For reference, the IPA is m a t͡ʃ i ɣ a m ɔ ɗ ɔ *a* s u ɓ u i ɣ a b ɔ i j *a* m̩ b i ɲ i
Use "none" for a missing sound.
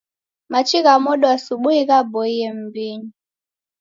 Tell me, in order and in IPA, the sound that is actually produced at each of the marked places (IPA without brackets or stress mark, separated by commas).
a, ɛ